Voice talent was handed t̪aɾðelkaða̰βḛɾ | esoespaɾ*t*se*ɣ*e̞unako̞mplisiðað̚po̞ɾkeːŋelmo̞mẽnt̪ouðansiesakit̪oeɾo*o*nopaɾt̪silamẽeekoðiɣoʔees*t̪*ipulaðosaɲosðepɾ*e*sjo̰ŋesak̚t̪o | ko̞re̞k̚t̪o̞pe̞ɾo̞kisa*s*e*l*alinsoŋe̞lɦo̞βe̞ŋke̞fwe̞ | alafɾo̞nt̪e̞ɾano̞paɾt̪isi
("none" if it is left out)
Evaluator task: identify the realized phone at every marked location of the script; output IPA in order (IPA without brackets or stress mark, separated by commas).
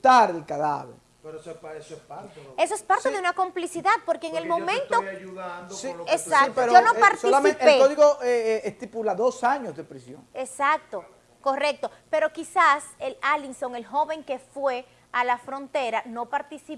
t, ð, o, t̪, i, s, l